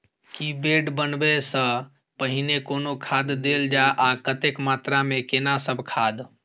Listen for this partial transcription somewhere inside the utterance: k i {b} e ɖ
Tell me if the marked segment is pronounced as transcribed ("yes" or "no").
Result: yes